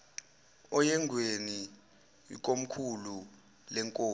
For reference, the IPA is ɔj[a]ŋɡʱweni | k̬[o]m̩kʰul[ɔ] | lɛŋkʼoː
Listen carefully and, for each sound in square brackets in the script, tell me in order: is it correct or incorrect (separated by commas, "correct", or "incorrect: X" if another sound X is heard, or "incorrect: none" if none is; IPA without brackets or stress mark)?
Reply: incorrect: ɛ, correct, incorrect: u